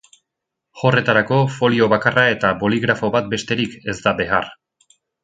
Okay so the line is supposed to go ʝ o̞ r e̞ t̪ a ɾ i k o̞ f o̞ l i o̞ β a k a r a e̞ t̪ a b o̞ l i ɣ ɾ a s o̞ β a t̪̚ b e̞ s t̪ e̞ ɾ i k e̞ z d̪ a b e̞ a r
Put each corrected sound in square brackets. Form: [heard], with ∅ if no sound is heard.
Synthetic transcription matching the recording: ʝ o̞ r e̞ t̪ a ɾ [a] k o̞ f o̞ l i o̞ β a k a r a e̞ t̪ a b o̞ l i ɣ ɾ a [f] o̞ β a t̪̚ b e̞ s t̪ e̞ ɾ i k e̞ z d̪ a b e̞ a r